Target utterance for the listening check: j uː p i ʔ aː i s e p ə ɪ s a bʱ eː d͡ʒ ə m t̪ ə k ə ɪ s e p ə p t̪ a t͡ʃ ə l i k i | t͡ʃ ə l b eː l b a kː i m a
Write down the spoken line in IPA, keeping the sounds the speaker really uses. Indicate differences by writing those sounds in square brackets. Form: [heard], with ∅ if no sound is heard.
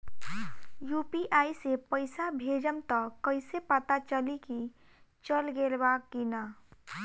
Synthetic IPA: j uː p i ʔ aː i s e p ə ɪ s a bʱ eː d͡ʒ ə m t̪ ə k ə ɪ s e p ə [∅] t̪ a t͡ʃ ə l i k i | t͡ʃ ə l [ɡ] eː l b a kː i [n] a